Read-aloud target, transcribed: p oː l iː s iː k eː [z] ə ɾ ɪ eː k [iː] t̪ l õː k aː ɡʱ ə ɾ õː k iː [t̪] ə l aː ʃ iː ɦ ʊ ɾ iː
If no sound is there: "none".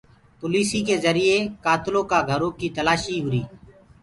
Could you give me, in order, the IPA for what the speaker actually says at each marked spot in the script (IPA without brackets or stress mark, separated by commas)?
z, aː, t̪